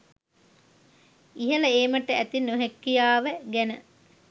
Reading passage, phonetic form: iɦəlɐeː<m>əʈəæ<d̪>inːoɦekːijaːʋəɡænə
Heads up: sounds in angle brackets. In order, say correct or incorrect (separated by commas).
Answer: correct, incorrect